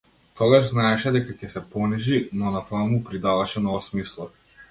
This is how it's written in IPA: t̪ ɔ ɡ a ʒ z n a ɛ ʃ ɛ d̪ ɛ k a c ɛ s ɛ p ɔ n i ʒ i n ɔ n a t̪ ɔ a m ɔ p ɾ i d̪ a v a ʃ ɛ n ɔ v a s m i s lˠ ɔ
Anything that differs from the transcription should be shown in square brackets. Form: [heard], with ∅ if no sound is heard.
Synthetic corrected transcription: t̪ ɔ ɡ a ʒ z n a ɛ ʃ ɛ d̪ ɛ k a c ɛ s ɛ p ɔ n i ʒ i n ɔ n a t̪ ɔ a m [u] p ɾ i d̪ a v a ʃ ɛ n ɔ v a s m i s lˠ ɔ